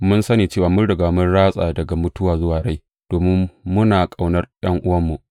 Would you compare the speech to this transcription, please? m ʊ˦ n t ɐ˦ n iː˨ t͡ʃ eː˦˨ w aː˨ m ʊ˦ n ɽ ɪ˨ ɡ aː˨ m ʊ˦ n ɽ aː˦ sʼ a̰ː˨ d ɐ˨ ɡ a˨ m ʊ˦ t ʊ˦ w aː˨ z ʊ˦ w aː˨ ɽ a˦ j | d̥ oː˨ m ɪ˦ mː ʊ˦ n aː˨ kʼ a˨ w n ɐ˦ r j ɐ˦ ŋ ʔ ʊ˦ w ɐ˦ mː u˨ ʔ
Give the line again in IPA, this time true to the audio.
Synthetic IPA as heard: m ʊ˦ n s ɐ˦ n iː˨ t͡ʃ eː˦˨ w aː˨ m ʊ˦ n ɽ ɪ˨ ɡ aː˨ m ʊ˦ n ɽ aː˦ sʼ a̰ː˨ d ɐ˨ ɡ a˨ m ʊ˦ t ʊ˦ w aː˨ z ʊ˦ w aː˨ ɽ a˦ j | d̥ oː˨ m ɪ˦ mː ʊ˦ n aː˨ kʼ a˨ w n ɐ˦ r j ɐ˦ ŋ ʔ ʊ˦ w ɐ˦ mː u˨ ʔ